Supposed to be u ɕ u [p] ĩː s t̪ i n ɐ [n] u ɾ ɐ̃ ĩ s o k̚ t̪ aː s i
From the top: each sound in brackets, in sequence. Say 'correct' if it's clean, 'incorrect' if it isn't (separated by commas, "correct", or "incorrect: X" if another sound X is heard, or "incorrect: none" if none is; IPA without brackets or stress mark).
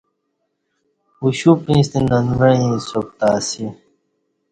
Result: correct, correct